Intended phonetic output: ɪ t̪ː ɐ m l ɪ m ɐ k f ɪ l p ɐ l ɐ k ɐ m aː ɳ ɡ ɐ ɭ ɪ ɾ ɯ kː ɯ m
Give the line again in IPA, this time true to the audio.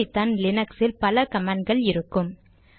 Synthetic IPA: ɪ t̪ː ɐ n l ɪ n ɐ k s ɪ l p ɐ l ɐ k ɐ m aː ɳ ɡ ɐ ɭ ɪ ɾ ɯ kː ɯ m